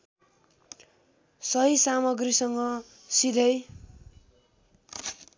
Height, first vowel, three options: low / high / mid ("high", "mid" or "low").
mid